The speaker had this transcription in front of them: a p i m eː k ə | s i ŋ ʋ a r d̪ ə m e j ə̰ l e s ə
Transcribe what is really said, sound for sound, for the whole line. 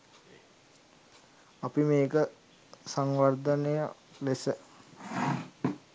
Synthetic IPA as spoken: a p i m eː k ə | s a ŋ ʋ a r d̪ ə n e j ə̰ l e s ə